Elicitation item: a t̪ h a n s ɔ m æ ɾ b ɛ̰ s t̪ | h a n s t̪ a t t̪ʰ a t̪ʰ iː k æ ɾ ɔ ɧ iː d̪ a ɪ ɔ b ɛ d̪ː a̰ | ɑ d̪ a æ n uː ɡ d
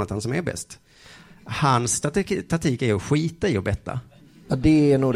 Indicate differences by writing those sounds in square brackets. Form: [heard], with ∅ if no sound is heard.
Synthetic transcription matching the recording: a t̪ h a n s ɔ m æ ɾ b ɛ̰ s t̪ | h a n s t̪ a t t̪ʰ a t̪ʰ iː k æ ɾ ɔ ɧ iː [t̪] a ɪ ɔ b ɛ [t̪ː] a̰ | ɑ d̪ [ɛ] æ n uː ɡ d